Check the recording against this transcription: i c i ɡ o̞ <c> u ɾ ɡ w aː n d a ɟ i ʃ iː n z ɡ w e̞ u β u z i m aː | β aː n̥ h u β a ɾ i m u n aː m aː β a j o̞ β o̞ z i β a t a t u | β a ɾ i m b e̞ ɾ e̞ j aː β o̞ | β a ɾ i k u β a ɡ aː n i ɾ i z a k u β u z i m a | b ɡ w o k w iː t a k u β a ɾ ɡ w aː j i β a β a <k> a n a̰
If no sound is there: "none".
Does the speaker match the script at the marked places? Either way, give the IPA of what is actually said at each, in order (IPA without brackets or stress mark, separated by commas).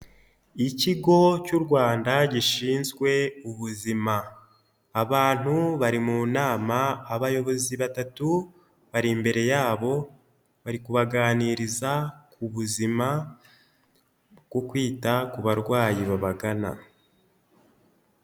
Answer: c, ɡ